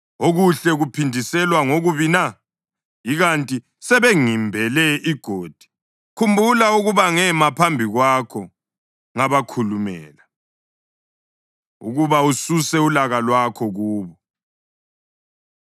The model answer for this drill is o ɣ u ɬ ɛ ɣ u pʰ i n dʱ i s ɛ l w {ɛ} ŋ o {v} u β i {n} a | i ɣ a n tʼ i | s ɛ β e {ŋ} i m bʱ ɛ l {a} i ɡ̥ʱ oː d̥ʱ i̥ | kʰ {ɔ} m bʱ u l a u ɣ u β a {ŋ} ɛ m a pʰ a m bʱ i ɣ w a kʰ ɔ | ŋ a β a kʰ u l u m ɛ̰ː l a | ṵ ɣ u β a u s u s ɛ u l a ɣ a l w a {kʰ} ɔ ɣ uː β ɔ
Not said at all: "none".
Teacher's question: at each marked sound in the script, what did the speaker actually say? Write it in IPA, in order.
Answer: a, ɣ, n, ŋ, ɛ, u, ŋ, kʰ

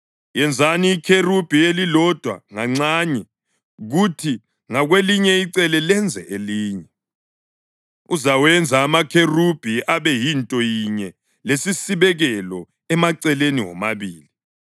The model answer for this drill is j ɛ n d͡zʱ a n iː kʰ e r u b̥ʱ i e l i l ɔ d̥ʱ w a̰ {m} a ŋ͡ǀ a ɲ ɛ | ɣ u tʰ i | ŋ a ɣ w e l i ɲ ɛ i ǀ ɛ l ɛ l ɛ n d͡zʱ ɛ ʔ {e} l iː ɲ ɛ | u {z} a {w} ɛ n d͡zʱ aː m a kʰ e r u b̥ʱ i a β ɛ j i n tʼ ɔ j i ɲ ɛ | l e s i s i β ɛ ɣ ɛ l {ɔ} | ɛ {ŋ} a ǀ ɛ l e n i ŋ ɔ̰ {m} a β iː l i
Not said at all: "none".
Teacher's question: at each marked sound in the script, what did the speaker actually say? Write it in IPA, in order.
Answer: ŋ, e, z, w, ɔ, m, m

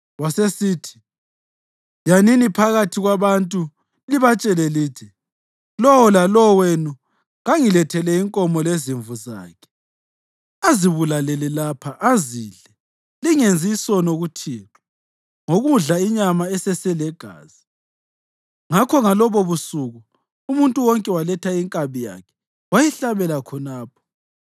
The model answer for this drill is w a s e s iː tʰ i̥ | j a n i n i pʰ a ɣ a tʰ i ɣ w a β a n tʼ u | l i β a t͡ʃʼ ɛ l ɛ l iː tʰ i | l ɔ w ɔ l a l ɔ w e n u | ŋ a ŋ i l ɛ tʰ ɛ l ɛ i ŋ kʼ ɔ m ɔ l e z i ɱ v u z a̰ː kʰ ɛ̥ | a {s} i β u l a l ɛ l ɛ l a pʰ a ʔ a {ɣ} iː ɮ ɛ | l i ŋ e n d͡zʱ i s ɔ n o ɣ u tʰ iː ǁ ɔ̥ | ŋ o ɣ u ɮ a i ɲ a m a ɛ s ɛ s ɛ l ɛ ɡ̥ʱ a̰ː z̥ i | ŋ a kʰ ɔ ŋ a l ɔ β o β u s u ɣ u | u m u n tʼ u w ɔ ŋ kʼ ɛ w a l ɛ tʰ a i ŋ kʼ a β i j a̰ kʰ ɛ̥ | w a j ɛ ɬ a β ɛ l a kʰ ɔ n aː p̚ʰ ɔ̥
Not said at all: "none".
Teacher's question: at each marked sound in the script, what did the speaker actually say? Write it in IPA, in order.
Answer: z, z

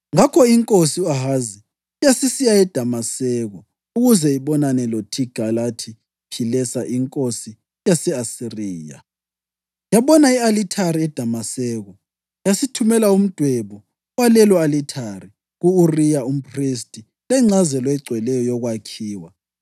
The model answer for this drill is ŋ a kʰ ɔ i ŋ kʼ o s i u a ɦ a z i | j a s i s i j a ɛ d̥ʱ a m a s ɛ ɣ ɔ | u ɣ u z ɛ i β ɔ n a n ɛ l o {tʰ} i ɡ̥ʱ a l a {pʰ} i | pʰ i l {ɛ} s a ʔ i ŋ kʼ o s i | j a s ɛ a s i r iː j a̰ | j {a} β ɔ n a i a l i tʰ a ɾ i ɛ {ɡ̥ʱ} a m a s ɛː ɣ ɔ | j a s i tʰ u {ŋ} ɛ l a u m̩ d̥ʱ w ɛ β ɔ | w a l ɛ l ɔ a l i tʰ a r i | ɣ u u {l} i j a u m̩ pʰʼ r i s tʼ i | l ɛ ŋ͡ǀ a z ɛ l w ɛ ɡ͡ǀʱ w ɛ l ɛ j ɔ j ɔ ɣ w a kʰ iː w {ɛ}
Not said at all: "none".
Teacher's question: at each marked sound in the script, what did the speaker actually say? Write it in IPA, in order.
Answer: tʰ, tʰ, ɛ, a, d̥ʱ, m, r, a

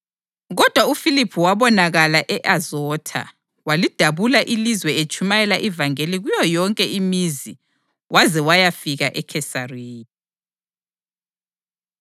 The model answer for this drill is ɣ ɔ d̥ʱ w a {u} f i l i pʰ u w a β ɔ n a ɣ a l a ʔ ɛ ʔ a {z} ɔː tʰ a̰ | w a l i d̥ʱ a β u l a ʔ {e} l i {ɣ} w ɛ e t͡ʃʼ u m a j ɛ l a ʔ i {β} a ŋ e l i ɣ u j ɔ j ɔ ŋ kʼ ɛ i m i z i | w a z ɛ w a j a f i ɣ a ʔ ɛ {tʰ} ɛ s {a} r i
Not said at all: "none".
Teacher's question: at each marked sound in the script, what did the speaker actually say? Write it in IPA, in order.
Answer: u, z, i, z, v, kʰ, a

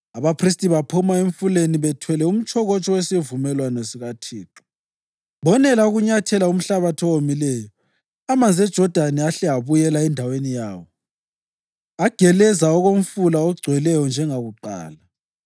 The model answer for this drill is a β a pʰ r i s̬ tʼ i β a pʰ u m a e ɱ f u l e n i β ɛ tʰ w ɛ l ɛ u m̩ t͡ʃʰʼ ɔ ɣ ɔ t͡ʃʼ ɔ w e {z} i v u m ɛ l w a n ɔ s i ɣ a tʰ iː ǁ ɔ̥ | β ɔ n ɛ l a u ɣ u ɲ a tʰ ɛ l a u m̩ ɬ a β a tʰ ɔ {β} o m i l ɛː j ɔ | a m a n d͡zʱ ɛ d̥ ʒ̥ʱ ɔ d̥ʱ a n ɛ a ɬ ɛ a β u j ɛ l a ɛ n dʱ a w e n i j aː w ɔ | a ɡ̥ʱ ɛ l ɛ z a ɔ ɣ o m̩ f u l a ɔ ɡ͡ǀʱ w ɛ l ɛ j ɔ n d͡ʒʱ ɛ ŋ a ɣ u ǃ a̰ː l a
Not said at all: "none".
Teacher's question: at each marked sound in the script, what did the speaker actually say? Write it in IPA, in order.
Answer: s, w

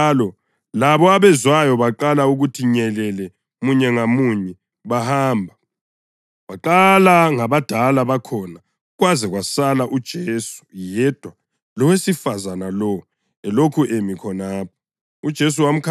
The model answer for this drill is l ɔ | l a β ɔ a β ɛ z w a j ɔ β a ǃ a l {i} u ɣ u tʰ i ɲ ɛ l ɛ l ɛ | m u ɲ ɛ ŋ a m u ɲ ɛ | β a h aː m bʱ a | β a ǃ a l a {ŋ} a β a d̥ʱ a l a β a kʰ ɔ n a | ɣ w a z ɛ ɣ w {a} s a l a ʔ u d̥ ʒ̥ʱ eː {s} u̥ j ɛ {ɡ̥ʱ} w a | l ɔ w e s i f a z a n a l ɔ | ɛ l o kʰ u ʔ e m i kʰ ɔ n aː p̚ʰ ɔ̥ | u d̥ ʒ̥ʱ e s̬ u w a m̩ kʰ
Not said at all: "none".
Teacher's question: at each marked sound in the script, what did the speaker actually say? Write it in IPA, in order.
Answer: a, ŋ, a, s, d̥ʱ

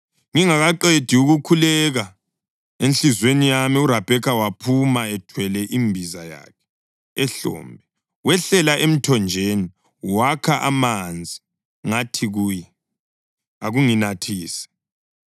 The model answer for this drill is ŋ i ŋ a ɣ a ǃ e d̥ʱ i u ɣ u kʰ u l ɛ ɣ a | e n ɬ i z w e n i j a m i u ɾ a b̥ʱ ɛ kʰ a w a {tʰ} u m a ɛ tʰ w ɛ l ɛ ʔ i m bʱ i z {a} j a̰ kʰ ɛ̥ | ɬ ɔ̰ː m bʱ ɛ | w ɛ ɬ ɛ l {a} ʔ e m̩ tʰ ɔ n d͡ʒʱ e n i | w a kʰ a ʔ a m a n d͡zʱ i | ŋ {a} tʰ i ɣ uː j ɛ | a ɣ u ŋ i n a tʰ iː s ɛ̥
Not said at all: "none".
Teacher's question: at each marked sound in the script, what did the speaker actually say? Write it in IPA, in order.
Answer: pʰ, a, a, a

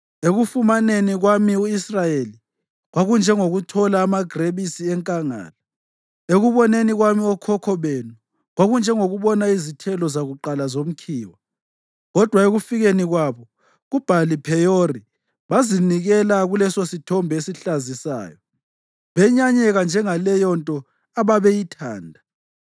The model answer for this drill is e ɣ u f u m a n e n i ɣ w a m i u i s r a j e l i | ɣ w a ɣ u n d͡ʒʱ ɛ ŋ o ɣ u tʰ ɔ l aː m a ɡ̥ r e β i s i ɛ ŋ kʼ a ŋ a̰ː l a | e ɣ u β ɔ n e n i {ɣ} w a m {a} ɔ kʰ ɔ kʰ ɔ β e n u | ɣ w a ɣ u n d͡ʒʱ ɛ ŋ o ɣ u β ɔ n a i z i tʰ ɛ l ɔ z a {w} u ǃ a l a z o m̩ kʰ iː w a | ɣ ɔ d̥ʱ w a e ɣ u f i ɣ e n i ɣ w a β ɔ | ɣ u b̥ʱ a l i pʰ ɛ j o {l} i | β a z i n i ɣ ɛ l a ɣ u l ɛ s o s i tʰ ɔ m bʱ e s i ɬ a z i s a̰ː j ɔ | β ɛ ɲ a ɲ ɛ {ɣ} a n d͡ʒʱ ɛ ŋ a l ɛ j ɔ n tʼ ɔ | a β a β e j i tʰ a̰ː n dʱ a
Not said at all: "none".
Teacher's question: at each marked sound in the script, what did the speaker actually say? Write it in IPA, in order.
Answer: ɣ, i, ɣ, r, ɣ

